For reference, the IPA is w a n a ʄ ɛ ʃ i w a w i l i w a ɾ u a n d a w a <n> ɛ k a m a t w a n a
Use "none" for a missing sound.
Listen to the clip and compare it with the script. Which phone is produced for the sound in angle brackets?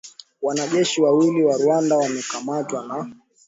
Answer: m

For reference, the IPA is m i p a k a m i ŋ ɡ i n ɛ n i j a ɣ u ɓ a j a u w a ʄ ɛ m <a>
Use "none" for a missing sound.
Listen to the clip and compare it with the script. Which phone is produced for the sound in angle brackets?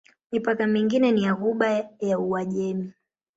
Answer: i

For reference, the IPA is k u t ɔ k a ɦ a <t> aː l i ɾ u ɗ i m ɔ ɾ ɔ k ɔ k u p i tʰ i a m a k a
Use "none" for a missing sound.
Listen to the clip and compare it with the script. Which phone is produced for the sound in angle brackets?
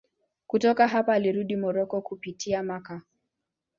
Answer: p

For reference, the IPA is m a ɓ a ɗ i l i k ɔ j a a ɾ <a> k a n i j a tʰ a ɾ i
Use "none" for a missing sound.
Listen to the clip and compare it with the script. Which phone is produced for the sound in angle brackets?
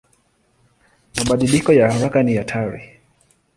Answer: a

